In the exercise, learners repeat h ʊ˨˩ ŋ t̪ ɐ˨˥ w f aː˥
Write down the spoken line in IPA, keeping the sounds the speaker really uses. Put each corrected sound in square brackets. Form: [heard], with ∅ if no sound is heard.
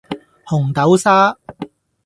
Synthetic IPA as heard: h ʊ˨˩ ŋ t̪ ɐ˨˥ w [s] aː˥